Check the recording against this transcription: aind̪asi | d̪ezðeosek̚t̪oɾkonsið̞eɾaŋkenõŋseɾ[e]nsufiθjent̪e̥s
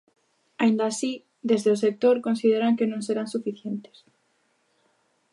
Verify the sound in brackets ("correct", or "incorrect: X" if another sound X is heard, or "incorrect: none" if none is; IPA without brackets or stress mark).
incorrect: a